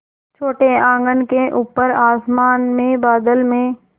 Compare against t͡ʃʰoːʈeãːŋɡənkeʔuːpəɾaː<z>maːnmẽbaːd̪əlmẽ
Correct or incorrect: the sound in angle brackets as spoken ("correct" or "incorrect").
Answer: incorrect